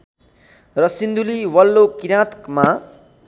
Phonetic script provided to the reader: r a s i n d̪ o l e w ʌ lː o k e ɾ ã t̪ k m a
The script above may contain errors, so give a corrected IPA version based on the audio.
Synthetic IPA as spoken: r ʌ s i n d̪ u l i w ʌ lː o k i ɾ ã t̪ k m a